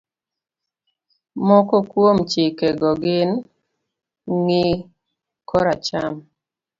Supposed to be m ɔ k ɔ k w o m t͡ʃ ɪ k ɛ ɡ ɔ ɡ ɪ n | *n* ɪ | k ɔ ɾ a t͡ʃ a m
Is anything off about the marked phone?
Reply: yes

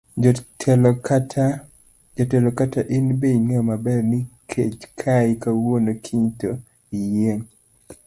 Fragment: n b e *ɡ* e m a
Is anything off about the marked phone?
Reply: yes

